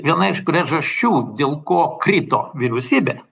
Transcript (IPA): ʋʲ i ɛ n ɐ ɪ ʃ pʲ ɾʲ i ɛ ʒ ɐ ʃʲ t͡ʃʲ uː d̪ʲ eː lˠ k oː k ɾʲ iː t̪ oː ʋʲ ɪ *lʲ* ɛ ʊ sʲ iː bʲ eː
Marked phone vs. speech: incorrect: ɾʲ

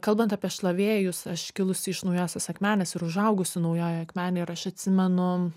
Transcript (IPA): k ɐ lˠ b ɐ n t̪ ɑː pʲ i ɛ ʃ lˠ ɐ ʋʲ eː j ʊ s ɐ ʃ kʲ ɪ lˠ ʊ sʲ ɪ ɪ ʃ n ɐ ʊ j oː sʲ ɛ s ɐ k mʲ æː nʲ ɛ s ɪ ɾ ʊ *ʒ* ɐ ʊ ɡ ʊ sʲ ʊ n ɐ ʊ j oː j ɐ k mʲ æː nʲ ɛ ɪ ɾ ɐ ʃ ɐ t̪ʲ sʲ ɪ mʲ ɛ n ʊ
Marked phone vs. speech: correct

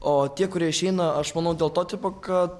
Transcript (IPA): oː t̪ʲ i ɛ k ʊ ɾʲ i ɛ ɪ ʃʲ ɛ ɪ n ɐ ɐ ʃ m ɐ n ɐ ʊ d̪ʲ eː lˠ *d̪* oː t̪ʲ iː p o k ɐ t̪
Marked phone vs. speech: incorrect: t̪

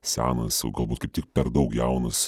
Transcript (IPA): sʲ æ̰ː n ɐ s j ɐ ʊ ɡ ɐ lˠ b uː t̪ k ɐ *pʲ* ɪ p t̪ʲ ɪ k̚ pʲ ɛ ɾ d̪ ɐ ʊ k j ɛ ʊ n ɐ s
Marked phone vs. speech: incorrect: none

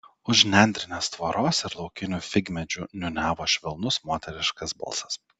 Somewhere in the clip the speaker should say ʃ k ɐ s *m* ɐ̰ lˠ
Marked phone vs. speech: incorrect: b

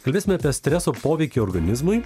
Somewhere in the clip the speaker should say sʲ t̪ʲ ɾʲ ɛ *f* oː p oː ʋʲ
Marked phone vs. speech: incorrect: s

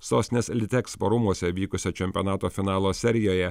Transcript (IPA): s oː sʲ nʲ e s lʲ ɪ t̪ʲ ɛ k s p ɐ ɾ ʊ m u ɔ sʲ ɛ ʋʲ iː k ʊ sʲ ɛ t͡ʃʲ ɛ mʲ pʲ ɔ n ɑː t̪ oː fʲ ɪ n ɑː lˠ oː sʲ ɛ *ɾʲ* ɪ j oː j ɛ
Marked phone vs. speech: correct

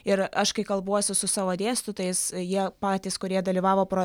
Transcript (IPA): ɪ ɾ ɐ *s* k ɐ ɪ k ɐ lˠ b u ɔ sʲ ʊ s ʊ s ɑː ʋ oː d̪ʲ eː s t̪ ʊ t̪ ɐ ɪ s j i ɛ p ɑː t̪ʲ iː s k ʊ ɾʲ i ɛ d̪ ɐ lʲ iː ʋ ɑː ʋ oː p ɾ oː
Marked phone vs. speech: incorrect: ʃ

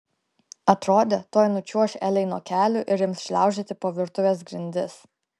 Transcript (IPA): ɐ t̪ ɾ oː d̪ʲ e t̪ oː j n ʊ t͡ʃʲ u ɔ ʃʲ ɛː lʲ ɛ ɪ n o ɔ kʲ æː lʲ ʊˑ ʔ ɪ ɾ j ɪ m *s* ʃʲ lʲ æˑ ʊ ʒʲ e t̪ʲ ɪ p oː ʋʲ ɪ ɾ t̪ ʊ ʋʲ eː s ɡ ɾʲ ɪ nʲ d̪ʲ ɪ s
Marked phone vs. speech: correct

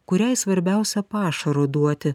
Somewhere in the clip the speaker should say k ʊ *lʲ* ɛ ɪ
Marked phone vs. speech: incorrect: ɾʲ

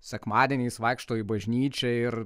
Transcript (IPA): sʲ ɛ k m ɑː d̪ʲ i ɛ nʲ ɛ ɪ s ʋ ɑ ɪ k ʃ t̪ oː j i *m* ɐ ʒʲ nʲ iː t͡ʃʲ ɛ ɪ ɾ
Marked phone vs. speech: incorrect: b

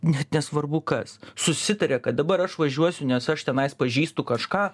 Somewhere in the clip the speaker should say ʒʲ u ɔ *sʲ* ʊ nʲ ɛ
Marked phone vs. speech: correct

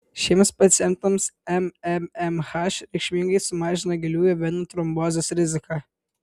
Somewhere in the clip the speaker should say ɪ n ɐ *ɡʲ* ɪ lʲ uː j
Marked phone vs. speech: correct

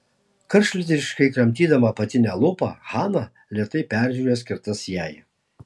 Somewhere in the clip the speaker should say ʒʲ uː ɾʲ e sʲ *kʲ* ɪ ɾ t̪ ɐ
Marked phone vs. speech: correct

